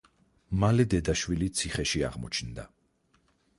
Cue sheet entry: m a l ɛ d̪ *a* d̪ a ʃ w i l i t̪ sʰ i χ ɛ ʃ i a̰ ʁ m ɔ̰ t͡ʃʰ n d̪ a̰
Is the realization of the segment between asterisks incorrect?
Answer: yes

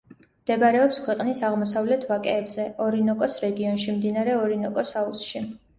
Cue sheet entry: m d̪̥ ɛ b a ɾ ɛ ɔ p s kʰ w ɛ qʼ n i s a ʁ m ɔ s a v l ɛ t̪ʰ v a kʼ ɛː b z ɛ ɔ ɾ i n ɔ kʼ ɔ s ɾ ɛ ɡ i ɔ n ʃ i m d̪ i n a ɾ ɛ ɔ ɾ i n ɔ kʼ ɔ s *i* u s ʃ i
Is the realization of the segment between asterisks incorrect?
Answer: yes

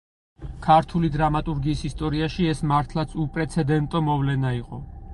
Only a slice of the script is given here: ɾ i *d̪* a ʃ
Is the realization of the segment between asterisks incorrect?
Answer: yes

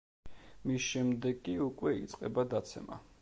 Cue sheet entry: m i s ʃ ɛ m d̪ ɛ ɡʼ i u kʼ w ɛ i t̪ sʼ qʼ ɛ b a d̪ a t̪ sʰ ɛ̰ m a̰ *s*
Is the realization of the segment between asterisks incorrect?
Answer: yes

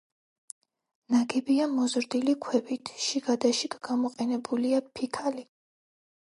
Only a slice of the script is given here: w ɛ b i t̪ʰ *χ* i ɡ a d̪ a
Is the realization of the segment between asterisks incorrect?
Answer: yes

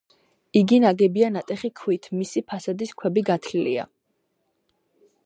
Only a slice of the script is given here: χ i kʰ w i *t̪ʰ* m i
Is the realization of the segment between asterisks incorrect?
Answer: no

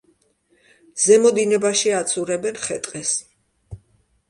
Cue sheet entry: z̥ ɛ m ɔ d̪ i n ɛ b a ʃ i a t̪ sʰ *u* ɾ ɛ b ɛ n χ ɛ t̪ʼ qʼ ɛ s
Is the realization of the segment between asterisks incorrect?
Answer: no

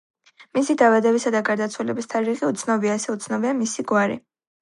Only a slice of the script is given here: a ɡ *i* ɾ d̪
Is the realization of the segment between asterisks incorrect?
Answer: yes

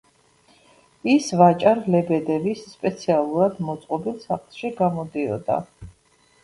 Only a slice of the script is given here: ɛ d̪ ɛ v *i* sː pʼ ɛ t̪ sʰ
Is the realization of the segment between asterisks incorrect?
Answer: no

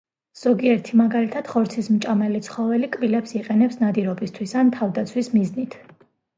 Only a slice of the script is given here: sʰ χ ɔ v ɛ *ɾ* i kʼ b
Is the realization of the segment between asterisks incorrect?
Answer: yes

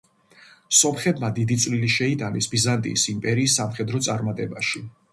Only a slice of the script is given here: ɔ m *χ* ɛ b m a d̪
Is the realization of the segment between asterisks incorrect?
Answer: no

